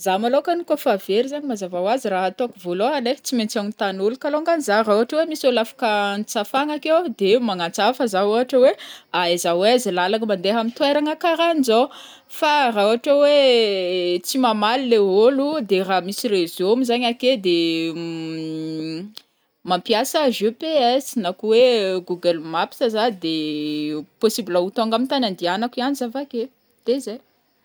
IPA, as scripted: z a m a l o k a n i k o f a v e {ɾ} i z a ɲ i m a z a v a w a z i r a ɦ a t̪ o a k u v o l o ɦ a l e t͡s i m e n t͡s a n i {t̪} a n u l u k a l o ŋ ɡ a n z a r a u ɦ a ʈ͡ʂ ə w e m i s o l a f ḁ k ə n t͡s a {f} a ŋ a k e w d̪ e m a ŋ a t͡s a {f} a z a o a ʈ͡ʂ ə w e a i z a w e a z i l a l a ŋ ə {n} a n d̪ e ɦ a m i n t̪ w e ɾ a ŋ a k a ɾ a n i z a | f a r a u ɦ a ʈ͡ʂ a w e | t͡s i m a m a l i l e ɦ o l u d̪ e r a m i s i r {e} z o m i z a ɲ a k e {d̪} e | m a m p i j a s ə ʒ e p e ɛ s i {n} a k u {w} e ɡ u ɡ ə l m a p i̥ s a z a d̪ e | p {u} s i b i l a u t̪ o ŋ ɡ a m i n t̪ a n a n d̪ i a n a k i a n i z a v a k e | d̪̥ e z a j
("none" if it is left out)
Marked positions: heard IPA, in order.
ɾ, t̪, f, f, m, e, d̪, n, w, o

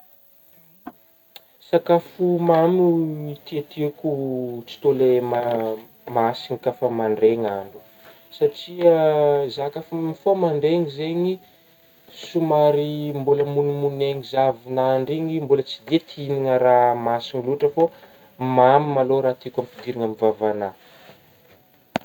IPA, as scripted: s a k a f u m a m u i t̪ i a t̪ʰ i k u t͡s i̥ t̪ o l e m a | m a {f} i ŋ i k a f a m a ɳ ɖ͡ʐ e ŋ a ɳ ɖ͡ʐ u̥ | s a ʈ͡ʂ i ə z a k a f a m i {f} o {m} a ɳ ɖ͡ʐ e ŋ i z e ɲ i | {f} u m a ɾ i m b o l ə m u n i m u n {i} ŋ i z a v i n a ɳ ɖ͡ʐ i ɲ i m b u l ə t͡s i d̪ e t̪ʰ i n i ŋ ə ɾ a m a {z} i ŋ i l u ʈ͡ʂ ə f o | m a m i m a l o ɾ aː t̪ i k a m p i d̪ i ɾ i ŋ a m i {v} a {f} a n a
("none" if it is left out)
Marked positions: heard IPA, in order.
s, f, m, s, e, s, v, v

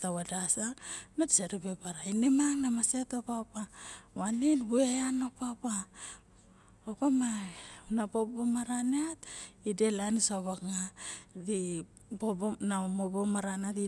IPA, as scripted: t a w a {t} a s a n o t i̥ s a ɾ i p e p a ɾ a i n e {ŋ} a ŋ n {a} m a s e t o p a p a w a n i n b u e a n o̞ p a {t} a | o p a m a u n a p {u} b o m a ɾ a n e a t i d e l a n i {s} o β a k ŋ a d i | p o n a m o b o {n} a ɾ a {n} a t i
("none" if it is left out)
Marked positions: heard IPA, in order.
d, m, a, p, o, s, m, n

